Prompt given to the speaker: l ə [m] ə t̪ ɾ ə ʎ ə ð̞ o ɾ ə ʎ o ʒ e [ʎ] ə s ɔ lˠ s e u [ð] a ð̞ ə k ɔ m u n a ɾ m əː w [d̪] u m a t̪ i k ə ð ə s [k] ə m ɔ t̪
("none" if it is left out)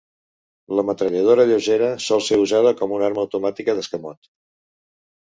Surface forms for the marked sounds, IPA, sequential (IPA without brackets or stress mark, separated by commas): m, ɾ, z, t̪, k